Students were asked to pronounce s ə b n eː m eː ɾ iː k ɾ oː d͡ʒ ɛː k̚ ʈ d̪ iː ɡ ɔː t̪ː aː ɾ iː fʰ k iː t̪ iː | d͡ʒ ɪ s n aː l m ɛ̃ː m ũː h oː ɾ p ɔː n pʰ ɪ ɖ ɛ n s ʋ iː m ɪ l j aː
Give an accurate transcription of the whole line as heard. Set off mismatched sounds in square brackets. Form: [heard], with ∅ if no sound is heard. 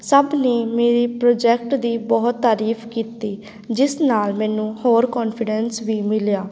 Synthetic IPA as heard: s ə b n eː m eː ɾ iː [p] ɾ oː d͡ʒ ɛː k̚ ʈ d̪ iː [b] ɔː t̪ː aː ɾ iː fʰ k iː t̪ iː | d͡ʒ ɪ s n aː l m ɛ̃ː [n] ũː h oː ɾ [k] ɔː n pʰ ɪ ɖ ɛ n s ʋ iː m ɪ l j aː